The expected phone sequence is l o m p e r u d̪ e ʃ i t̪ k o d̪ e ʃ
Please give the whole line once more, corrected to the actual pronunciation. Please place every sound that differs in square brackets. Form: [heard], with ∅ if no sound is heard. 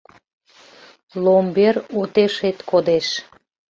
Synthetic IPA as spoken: l o m [b] e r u [t̪] e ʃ [e] t̪ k o d̪ e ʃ